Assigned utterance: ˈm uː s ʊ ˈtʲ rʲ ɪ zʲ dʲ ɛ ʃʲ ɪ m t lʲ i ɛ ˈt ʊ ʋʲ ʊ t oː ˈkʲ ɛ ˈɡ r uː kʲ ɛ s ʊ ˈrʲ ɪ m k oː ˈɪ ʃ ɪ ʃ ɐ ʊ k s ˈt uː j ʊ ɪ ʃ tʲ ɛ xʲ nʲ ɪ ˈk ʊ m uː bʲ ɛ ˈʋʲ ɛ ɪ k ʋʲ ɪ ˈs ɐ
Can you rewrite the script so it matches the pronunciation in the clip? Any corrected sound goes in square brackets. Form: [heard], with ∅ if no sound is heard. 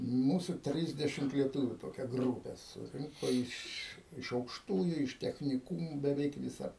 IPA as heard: ˈm uː s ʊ ˈtʲ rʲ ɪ zʲ dʲ ɛ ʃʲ ɪ m t lʲ i ɛ ˈt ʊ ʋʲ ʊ t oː ˈkʲ ɛ ˈɡ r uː [pʲ] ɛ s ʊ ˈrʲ ɪ [ŋ] k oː ˈɪ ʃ ɪ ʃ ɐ ʊ k [ʃ] ˈt uː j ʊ ɪ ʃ tʲ ɛ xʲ nʲ ɪ ˈk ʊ m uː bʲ ɛ ˈʋʲ ɛ ɪ k ʋʲ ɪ ˈs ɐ